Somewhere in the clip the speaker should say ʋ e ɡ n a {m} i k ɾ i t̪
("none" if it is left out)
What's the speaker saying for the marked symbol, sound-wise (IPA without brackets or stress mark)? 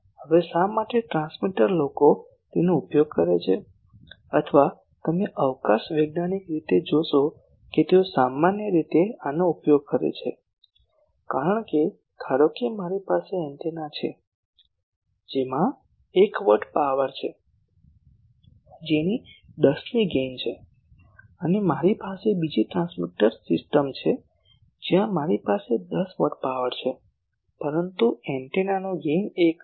n